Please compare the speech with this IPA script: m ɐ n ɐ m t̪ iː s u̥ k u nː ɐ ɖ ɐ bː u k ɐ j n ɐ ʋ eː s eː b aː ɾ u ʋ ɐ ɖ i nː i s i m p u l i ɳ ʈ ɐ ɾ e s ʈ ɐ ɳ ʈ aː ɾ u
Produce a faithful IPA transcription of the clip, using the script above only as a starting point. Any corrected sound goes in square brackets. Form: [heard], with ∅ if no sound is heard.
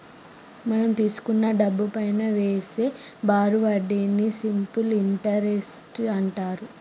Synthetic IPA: m ɐ n ɐ m t̪ iː s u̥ k u nː ɐ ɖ ɐ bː u [p] ɐ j n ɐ ʋ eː s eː b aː ɾ u ʋ ɐ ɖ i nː i s i m p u l i ɳ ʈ ɐ ɾ e s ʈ ɐ ɳ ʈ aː ɾ u

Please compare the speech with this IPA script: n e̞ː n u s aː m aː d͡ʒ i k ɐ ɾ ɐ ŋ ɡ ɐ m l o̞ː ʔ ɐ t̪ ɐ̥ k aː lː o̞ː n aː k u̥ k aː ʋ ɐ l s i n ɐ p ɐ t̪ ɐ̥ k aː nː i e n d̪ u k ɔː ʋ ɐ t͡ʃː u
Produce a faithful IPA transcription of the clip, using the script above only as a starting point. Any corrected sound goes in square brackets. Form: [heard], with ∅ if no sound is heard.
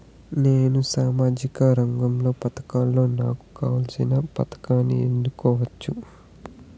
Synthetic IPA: n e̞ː n u s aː m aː d͡ʒ i k ɐ ɾ ɐ ŋ ɡ ɐ m l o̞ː [p] ɐ t̪ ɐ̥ k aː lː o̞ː n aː k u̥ k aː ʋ ɐ l s i n ɐ p ɐ t̪ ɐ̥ k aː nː i e n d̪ u k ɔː ʋ ɐ t͡ʃː u

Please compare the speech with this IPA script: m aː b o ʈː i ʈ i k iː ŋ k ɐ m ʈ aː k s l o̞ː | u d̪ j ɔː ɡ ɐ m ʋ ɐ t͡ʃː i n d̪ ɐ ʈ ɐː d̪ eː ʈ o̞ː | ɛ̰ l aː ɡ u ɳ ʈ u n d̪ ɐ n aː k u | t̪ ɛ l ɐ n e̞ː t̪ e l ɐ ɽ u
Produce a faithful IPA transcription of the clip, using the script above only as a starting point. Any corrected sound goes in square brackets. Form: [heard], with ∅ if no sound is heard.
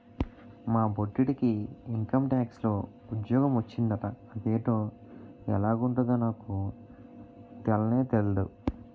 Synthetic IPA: m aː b o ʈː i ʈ i k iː ŋ k ɐ m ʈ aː k s l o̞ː | u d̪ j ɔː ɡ ɐ m ʋ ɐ t͡ʃː i n d̪ ɐ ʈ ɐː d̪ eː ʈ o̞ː | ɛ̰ l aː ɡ u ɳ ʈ u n d̪ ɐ n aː k u | t̪ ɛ l ɐ n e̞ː t̪ e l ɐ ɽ u

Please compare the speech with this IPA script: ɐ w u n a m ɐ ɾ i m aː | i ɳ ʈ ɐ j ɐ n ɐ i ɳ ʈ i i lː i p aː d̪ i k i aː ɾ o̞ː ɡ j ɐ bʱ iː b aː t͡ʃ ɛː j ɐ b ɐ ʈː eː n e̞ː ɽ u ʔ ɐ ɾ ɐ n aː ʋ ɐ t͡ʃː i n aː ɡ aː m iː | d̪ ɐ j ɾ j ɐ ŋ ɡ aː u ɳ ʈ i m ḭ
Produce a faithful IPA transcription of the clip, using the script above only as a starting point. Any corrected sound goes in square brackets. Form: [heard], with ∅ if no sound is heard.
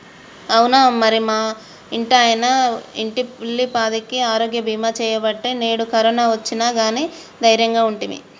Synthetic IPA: ɐ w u n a m ɐ ɾ i m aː | i ɳ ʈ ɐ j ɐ n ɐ i ɳ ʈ i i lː i p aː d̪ i k i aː ɾ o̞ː ɡ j ɐ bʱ iː [m] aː t͡ʃ ɛː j ɐ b ɐ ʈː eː n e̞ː ɽ u [k] ɐ ɾ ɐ n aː ʋ ɐ t͡ʃː i n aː ɡ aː [n] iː | d̪ ɐ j ɾ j ɐ ŋ ɡ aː u ɳ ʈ i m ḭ

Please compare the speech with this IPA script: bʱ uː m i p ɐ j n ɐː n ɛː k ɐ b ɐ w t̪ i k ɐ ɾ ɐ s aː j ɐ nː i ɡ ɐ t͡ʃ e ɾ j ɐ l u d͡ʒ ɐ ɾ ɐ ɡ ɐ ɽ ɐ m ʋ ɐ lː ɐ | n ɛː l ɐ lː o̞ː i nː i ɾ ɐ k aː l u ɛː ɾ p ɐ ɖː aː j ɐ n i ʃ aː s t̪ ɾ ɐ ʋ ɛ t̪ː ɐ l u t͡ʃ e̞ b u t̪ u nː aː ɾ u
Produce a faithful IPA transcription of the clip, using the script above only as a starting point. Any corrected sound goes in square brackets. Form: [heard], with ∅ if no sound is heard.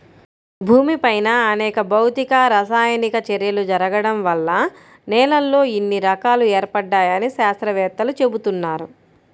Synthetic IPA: bʱ uː m i p ɐ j n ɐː n ɛː k ɐ b ɐ w t̪ i k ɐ ɾ ɐ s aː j ɐ [n] i [k] ɐ t͡ʃ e ɾ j ɐ l u d͡ʒ ɐ ɾ ɐ ɡ ɐ ɽ ɐ m ʋ ɐ lː ɐ | n ɛː l ɐ lː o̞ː i nː i ɾ ɐ k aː l u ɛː ɾ p ɐ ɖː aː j ɐ n i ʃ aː s t̪ ɾ ɐ ʋ [ɛː] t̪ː ɐ l u t͡ʃ e̞ b u t̪ u nː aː ɾ u

